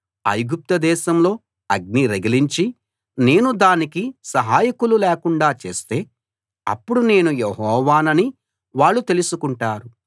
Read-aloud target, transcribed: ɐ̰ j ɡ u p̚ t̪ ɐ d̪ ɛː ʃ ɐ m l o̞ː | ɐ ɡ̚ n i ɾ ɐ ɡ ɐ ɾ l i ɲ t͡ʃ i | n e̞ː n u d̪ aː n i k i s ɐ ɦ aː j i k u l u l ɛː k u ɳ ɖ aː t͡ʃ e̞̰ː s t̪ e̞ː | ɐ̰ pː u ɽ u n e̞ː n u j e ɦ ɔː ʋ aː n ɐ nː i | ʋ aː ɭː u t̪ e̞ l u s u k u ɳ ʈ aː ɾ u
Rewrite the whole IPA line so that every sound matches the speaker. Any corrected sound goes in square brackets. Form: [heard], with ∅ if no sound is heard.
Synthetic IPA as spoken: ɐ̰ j ɡ u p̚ t̪ ɐ d̪ ɛː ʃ ɐ m l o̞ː | ɐ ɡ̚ n i ɾ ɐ ɡ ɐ [∅] l i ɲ t͡ʃ i | n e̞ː n u d̪ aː n i k i s ɐ ɦ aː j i k u l u l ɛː k u ɳ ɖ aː t͡ʃ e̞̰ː s t̪ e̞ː | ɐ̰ pː u ɽ u n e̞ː n u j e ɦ ɔː ʋ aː n ɐ [n] i | ʋ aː ɭː u t̪ e̞ l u s u k u ɳ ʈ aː ɾ u

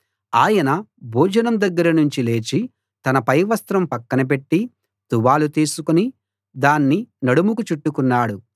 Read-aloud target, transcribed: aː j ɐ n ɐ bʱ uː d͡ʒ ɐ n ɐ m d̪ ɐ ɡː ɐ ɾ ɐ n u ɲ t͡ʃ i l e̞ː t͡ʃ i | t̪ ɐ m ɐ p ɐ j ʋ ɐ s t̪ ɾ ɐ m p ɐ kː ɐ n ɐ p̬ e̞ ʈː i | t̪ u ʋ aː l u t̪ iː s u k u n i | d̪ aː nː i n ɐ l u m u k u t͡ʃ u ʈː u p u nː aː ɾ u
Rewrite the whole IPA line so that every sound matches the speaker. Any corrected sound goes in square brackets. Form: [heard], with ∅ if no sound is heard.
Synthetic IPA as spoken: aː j ɐ n ɐ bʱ uː d͡ʒ ɐ n ɐ m d̪ ɐ ɡː ɐ ɾ ɐ n u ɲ t͡ʃ i l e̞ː t͡ʃ i | t̪ ɐ [n] ɐ p ɐ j ʋ ɐ s t̪ ɾ ɐ m p ɐ kː ɐ n ɐ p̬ e̞ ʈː i | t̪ u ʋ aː l u t̪ iː s u k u n i | d̪ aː nː i n ɐ [ɽ] u m u k u t͡ʃ u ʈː u [k] u nː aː [ɽ] u

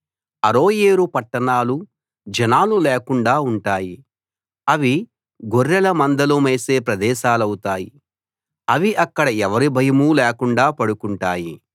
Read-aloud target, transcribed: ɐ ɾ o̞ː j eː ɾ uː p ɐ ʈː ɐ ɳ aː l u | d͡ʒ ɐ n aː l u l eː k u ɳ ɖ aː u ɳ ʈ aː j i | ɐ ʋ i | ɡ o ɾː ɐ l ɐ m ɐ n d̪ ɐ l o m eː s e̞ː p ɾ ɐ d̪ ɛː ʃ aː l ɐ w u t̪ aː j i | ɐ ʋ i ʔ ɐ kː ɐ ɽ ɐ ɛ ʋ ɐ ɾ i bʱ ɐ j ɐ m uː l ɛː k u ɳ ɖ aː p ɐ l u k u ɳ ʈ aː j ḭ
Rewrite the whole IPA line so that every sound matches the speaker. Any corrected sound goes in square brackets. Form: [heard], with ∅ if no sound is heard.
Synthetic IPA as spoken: ɐ ɾ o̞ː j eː ɾ [u] p ɐ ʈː ɐ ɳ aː l u | d͡ʒ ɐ n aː l u l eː k u ɳ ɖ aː u ɳ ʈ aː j i | ɐ ʋ i | ɡ o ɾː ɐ l ɐ m ɐ n d̪ ɐ l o m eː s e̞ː p ɾ ɐ d̪ ɛː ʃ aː l ɐ w u t̪ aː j i | ɐ ʋ i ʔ ɐ kː ɐ ɽ ɐ ɛ ʋ ɐ ɾ i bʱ ɐ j ɐ m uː l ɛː k u ɳ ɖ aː p ɐ [ɽ] u k u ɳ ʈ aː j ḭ

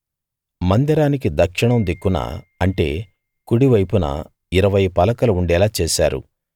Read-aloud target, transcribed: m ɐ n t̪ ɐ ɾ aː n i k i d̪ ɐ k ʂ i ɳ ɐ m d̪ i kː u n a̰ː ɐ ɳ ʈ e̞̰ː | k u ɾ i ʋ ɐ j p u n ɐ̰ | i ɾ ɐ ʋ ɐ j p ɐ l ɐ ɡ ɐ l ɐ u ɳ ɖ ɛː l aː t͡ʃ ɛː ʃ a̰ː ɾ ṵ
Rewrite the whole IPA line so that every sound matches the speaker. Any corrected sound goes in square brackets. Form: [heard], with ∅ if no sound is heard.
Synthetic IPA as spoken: m ɐ n [d̪] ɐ ɾ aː n i k i d̪ ɐ k ʂ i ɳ ɐ m d̪ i kː u n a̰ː ɐ ɳ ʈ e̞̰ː | k u [ɽ] i ʋ ɐ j p u n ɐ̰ | i ɾ ɐ ʋ ɐ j p ɐ l ɐ [k] ɐ l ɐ u ɳ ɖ ɛː l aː t͡ʃ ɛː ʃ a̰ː ɾ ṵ

